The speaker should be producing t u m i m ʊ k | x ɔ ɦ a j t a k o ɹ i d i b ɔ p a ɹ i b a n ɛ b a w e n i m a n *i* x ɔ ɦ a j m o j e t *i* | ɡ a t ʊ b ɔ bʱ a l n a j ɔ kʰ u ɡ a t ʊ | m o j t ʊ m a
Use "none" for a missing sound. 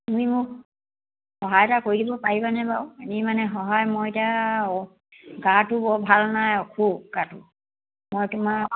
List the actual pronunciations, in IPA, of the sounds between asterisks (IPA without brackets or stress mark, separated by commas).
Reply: ɛ, a